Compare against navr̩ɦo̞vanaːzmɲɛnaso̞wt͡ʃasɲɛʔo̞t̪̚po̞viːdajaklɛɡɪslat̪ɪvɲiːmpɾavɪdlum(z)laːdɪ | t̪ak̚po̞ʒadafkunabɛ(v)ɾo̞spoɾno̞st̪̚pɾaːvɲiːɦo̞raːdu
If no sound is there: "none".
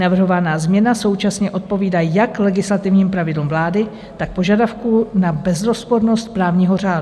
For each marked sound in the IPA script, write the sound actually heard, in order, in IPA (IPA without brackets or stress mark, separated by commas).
v, z